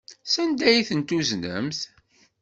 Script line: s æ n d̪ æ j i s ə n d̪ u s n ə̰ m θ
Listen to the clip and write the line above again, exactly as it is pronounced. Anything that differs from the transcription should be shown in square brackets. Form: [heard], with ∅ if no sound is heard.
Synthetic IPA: s æ n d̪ æ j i [θ] ə n [t̪] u [z] n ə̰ m θ